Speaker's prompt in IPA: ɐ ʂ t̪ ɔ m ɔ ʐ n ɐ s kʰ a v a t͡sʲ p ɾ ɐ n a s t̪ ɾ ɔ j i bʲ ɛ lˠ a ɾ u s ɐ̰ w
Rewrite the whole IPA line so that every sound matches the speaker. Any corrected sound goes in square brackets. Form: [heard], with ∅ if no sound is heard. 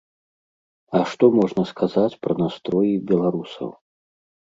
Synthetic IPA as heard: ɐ ʂ t̪ ɔ m ɔ ʐ n ɐ s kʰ a [z] a t͡sʲ p ɾ ɐ n a s t̪ ɾ ɔ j i bʲ ɛ lˠ a ɾ u s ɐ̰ w